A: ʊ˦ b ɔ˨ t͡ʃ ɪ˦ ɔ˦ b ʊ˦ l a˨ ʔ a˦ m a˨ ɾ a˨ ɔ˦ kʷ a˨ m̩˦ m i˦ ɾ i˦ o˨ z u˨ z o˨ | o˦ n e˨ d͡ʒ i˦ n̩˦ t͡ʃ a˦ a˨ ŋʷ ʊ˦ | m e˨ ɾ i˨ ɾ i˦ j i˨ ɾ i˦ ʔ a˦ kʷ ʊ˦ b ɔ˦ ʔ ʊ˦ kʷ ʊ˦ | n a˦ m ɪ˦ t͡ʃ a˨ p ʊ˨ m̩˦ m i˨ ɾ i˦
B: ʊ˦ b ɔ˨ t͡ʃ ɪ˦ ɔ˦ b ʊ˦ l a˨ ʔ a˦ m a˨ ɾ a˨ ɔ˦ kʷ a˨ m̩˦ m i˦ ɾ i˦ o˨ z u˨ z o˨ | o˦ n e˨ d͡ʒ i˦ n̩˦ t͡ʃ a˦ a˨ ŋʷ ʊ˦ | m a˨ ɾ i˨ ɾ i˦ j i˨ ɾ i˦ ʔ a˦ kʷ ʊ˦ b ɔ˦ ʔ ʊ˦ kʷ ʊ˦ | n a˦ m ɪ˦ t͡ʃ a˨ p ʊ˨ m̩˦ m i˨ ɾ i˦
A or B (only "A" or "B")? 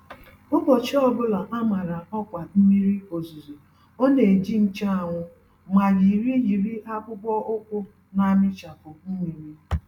B